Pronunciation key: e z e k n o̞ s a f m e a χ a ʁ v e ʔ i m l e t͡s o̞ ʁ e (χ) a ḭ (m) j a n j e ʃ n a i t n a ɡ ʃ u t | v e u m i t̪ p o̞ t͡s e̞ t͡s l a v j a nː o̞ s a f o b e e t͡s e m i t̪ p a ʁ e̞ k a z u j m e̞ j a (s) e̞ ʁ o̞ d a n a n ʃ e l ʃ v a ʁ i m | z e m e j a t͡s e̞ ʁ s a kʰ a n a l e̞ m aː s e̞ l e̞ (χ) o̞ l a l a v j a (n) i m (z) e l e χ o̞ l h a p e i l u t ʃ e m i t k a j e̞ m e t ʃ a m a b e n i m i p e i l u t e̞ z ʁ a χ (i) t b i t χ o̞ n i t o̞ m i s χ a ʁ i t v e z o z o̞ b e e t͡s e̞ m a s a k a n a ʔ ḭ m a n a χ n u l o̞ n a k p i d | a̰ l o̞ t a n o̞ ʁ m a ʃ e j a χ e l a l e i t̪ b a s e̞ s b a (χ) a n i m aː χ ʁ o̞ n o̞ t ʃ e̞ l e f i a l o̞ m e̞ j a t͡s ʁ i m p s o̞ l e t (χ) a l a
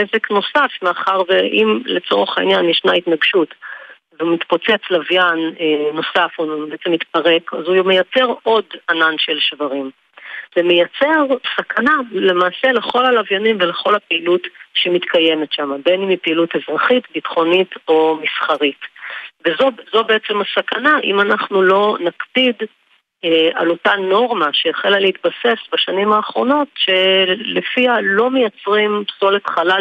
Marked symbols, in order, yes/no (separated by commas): yes, no, no, yes, yes, no, yes, no, yes